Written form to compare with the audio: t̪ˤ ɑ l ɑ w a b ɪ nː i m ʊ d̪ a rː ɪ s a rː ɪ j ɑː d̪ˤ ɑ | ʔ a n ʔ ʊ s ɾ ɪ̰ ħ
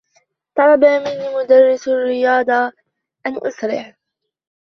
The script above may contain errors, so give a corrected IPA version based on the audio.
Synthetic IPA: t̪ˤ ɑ l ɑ b a m ɪ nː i m ʊ d̪ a rː ɪ s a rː ɪ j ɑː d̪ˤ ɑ | ʔ a n ʔ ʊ s ɾ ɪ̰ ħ